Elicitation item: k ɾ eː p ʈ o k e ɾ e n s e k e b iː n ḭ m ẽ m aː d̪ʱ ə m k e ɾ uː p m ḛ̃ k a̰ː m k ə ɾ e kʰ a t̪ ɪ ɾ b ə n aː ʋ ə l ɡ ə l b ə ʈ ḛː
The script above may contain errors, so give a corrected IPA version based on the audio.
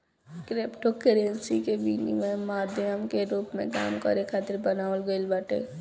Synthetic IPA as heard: k ɾ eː p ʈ o k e ɾ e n s i k e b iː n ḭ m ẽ m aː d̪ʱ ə m k e ɾ uː p m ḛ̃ k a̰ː m k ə ɾ e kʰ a t̪ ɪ ɾ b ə n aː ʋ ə l ɡ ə l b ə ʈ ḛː